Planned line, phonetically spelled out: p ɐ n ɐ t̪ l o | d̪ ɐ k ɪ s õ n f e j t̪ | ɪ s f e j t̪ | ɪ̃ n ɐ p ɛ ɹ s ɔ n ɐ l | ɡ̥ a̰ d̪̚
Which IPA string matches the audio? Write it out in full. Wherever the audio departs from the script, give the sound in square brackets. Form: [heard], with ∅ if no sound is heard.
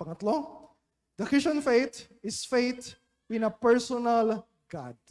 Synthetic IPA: p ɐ [ŋ] ɐ t̪ l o | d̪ ɐ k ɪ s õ n f e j t̪ | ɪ s f e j t̪ | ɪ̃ n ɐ p ɛ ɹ s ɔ n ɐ l | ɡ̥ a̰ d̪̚